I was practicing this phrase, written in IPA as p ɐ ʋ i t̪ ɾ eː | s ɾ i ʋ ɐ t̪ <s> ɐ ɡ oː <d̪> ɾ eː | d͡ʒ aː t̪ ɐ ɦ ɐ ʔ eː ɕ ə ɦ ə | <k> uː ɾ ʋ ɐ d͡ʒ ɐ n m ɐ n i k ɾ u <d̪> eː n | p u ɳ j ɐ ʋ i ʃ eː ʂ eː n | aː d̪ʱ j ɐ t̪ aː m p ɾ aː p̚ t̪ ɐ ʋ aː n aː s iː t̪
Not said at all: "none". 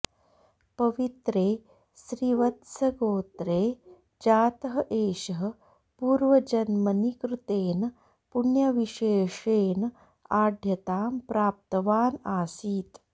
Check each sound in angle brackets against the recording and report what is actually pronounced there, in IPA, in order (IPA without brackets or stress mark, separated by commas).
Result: s, t̪, p, t̪